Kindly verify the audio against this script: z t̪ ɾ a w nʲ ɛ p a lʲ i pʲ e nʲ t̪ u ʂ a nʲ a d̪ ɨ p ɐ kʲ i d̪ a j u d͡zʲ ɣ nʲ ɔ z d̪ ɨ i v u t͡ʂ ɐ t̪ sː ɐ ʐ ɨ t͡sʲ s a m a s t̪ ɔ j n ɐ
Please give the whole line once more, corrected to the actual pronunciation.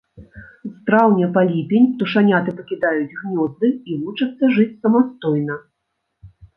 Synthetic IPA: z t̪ ɾ a w nʲ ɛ p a lʲ i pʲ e nʲ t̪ u ʂ a nʲ a t̪ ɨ p ɐ kʲ i d̪ a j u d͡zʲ ɣ nʲ ɔ z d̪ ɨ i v u t͡ʂ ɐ t̪ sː ɐ ʐ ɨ t͡sʲ s ɐ m a s t̪ ɔ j n ɐ